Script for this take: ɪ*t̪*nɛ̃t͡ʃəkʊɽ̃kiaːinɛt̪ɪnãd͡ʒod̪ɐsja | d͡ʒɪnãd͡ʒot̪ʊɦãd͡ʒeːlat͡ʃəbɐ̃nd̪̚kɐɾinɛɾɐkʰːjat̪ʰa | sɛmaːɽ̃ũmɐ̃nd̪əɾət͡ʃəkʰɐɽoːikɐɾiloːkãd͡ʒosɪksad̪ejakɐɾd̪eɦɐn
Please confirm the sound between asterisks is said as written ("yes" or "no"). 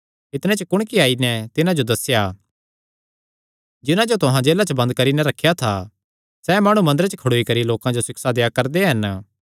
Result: yes